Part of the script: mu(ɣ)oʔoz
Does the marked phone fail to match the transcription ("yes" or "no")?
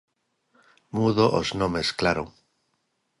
yes